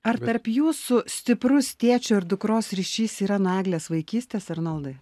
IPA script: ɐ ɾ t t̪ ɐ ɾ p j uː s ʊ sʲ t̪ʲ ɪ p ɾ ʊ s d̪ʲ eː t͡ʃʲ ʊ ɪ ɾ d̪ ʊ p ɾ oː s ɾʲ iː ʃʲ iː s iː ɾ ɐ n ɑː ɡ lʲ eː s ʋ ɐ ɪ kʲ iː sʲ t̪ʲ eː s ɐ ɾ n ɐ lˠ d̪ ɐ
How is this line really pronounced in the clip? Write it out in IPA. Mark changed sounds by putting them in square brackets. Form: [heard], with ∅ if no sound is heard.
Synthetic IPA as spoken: ɐ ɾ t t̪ ɐ ɾ p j uː s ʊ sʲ t̪ʲ ɪ p ɾ ʊ s [t̪ʲ] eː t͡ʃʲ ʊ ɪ ɾ d̪ ʊ [k] ɾ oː s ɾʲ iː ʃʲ iː s iː ɾ ɐ n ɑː ɡ lʲ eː s ʋ ɐ ɪ kʲ iː sʲ t̪ʲ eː s ɐ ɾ n ɐ lˠ d̪ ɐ